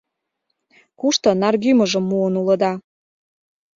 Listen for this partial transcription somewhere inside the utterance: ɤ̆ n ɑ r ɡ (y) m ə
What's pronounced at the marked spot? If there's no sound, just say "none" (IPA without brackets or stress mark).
y